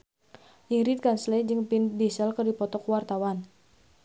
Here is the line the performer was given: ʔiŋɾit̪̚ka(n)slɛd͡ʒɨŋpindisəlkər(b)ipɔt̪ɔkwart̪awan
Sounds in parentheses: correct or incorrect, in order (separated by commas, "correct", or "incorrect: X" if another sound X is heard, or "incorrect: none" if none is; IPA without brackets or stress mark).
correct, incorrect: d